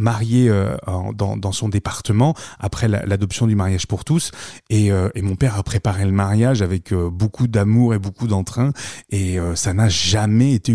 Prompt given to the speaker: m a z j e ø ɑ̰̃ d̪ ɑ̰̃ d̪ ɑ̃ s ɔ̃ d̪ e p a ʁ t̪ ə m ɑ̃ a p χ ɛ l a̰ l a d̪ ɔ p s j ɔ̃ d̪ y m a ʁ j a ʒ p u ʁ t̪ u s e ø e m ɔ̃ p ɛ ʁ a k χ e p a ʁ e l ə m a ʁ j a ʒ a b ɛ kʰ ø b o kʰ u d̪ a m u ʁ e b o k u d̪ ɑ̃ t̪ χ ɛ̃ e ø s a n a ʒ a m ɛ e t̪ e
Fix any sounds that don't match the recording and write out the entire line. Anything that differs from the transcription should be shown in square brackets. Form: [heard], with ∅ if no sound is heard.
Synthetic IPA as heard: m a [ʁ] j e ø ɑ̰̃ d̪ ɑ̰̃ d̪ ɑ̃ s ɔ̃ d̪ e p a ʁ t̪ ə m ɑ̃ a p χ ɛ l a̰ l a d̪ ɔ p s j ɔ̃ d̪ y m a ʁ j a ʒ p u ʁ t̪ u s e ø e m ɔ̃ p ɛ ʁ a [p] χ e p a ʁ e l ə m a ʁ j a ʒ a [v] ɛ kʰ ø b o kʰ u d̪ a m u ʁ e b o k u d̪ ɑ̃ t̪ χ ɛ̃ e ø s a n a ʒ a m ɛ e t̪ e